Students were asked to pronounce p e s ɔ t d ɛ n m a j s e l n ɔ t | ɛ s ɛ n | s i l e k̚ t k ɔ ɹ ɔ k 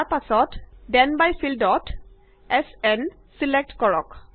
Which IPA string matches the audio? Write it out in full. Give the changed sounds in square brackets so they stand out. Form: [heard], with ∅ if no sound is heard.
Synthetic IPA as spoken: p [a] s ɔ t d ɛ n [b] a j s [i] l [d] ɔ t | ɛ s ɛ n | s i l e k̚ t k ɔ ɹ ɔ k